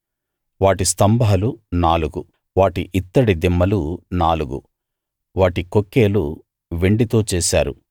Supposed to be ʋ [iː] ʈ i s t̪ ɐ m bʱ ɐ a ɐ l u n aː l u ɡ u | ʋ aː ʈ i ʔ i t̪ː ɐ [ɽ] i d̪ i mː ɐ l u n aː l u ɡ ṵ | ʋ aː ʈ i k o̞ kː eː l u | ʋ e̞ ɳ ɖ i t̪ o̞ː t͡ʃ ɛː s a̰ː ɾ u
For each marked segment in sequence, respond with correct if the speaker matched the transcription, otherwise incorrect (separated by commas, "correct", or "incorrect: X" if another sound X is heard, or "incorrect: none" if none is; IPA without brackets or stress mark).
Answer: incorrect: aː, correct